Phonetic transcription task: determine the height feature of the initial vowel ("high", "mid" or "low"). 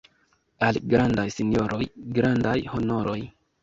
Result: low